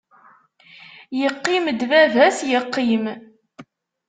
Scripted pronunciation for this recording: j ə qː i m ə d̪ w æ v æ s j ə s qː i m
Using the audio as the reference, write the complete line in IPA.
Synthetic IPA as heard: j ə qː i m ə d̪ v æ v æ s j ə qː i m